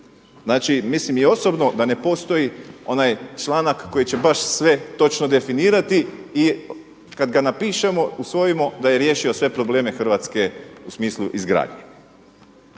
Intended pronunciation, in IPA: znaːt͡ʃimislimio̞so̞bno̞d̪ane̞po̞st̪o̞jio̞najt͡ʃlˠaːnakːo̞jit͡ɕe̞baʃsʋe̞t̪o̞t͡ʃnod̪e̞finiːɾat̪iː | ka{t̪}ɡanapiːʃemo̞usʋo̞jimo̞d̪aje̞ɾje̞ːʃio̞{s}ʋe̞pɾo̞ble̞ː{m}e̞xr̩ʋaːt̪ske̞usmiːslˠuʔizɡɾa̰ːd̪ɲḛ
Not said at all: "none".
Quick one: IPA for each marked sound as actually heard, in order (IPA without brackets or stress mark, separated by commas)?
d̪, s, m